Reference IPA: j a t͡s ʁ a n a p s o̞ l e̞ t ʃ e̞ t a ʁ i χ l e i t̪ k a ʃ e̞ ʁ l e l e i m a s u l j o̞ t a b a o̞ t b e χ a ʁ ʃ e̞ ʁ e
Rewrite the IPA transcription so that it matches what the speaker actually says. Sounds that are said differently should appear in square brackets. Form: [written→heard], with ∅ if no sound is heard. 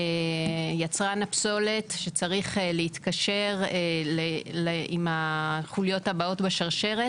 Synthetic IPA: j a t͡s ʁ a n a p s o̞ l e̞ t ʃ e̞ [t→t͡s] a ʁ i χ l e i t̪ k a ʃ e̞ ʁ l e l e i m a [s→χ] u l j o̞ t a b a o̞ t b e [χ→ʃ] a ʁ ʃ e̞ ʁ e